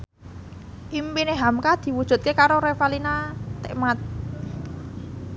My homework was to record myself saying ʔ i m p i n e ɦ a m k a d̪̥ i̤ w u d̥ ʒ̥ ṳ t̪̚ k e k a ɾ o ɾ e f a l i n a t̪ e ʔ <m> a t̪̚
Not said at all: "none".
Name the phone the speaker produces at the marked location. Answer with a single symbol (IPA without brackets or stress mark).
m